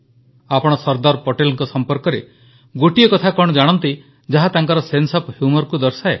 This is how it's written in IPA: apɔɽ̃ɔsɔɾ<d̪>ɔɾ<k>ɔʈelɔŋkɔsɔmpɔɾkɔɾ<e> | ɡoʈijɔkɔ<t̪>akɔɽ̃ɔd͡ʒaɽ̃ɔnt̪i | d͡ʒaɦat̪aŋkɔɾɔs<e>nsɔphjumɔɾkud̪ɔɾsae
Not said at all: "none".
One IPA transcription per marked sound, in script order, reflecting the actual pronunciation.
d̪, p, e, t̪ʰ, e

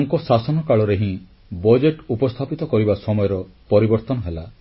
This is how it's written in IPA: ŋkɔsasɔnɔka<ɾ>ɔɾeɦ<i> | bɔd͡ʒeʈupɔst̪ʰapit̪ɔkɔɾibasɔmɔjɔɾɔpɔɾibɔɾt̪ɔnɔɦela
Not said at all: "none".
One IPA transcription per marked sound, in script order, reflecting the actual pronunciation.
ɭ, ĩ

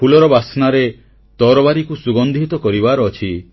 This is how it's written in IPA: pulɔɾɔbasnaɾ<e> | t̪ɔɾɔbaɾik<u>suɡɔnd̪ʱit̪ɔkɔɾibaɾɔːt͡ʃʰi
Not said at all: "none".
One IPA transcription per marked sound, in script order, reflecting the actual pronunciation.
e, u

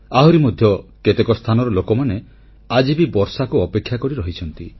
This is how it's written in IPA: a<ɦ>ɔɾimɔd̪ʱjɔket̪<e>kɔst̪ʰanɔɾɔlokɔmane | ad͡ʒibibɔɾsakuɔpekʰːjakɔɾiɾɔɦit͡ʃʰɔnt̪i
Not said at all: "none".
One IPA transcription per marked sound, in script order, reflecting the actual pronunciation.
ɦ, e

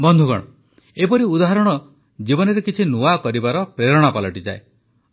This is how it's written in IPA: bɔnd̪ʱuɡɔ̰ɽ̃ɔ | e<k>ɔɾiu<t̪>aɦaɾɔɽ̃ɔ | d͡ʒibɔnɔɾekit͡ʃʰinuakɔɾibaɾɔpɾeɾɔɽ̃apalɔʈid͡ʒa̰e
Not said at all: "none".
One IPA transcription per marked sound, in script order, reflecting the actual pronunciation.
p, d̪

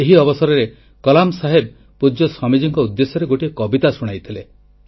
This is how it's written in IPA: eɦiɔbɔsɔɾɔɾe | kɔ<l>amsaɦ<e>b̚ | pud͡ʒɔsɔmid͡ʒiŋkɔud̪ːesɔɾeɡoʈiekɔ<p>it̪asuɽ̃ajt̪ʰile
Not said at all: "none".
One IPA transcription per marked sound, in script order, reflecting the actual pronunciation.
l, e, b

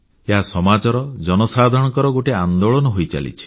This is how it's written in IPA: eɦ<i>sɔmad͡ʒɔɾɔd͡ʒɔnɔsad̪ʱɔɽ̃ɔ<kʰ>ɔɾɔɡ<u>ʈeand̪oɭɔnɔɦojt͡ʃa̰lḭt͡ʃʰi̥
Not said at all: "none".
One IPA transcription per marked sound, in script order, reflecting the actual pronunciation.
a, k, o

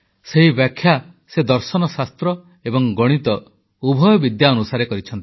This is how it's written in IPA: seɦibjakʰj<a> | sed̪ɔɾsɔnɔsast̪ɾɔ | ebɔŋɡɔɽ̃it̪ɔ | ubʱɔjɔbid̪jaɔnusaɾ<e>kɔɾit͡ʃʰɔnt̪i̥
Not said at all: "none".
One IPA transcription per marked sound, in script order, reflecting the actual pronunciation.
a, e

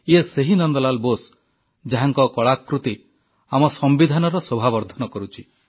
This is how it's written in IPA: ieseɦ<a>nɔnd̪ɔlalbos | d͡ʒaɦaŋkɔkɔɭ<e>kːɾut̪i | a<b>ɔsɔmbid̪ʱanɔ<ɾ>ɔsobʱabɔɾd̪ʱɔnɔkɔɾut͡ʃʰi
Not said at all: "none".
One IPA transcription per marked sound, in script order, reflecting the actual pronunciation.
i, a, m, ɾ

